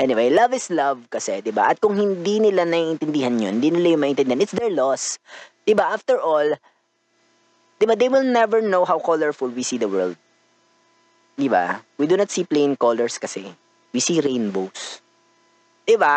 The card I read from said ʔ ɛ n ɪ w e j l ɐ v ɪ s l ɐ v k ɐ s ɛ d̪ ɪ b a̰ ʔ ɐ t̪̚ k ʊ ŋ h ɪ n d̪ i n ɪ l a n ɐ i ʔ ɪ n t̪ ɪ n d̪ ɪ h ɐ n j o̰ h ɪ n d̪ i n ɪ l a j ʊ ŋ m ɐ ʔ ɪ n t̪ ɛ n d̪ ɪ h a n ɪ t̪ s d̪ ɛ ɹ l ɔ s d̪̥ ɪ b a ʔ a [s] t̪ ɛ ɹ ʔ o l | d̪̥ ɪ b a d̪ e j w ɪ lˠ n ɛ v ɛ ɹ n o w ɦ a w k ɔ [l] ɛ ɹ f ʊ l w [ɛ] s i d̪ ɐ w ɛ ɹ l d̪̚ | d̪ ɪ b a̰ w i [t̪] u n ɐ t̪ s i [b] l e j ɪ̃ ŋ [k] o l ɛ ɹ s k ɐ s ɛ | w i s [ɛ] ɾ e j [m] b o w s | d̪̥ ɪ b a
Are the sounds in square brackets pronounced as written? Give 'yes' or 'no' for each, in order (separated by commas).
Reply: no, yes, no, no, no, yes, no, no